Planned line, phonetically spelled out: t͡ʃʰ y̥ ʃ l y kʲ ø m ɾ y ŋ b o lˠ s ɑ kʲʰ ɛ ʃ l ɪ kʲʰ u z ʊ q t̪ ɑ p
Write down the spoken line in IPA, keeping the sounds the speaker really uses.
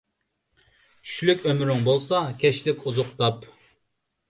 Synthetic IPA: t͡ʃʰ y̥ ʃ l y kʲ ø m ɾ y ŋ b o lˠ s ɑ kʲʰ ɛ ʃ l ɪ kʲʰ u z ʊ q t̪ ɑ p